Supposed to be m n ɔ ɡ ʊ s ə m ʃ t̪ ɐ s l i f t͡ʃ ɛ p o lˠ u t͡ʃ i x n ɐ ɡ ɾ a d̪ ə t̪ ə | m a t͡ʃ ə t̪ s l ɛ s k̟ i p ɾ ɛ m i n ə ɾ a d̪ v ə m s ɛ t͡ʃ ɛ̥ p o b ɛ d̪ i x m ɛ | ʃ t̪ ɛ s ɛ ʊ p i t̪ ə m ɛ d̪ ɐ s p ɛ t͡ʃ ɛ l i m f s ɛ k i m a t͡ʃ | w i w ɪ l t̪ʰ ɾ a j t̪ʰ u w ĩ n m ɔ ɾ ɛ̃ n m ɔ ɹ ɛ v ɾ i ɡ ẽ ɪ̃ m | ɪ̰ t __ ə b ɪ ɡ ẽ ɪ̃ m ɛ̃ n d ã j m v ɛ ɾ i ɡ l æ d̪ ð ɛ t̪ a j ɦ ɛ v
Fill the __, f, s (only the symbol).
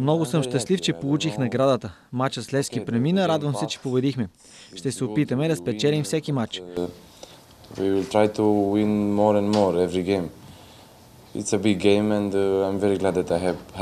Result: s